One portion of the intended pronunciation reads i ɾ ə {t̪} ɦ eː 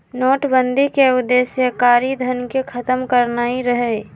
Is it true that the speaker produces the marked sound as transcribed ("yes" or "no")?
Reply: no